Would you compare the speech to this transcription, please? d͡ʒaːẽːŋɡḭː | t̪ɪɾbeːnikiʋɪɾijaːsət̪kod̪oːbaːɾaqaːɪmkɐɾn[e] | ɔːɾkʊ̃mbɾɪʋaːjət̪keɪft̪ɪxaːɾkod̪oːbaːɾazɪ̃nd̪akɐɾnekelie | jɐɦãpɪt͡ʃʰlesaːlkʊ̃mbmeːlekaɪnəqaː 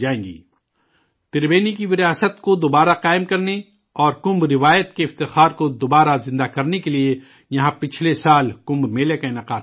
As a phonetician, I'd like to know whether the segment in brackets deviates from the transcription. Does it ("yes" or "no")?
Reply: no